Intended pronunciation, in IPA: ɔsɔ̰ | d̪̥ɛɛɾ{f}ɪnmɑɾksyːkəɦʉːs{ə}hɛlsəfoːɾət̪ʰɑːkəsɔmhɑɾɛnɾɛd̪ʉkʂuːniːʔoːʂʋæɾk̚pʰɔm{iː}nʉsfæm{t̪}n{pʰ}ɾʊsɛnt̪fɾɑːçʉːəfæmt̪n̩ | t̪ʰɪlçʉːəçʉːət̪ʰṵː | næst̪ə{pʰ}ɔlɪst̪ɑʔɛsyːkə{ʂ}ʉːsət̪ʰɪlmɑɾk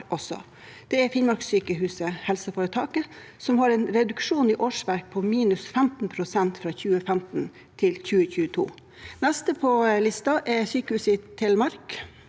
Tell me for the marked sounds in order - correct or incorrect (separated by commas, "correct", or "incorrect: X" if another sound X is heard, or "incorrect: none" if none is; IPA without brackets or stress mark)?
correct, correct, correct, correct, correct, correct, incorrect: h